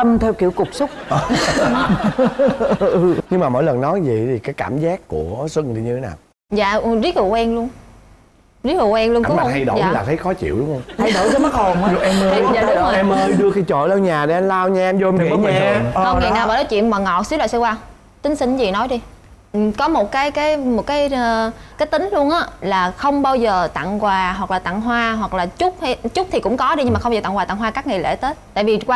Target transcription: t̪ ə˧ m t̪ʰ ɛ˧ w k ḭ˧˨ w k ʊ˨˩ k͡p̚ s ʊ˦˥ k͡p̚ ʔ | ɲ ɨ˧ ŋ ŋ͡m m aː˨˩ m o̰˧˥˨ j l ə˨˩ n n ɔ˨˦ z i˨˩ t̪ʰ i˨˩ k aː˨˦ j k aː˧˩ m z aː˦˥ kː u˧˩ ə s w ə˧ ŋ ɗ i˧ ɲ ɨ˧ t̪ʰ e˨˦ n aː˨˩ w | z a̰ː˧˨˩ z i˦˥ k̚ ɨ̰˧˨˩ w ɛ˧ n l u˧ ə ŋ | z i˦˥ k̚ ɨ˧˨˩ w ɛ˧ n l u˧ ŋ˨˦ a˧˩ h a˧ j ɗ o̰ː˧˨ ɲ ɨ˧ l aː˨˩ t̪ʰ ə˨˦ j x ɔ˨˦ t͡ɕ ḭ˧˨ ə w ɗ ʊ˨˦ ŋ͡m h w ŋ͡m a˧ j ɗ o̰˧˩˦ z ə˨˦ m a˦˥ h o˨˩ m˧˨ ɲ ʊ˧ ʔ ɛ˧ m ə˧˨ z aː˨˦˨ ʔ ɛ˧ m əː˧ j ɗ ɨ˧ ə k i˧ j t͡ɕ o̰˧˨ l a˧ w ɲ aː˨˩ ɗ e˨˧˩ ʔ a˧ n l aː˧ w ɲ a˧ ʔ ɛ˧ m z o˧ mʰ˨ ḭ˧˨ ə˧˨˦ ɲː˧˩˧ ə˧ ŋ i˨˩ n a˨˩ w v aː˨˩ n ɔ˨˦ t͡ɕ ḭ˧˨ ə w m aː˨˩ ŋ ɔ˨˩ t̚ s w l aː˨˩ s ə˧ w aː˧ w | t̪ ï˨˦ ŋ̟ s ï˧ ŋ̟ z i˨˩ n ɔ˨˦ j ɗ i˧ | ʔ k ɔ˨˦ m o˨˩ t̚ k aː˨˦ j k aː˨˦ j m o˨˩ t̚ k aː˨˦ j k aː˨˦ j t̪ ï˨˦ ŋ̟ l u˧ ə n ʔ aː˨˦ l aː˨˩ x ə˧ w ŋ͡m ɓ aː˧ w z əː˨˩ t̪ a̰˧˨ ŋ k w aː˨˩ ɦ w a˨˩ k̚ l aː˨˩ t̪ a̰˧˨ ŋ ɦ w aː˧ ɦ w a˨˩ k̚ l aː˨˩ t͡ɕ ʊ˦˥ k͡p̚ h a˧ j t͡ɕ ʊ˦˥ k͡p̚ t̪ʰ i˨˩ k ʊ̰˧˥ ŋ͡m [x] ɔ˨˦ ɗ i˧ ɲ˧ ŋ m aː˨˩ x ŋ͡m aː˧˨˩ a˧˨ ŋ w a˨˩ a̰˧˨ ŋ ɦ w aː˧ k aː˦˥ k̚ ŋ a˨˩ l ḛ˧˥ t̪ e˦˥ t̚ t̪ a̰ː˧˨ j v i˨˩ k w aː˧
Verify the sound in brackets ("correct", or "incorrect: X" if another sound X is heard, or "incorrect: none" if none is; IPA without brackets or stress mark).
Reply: incorrect: k